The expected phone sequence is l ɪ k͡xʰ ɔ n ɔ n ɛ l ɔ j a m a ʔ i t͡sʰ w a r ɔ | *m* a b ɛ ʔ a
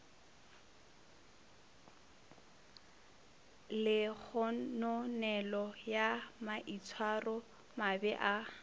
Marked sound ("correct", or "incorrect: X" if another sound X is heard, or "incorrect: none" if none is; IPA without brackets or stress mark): correct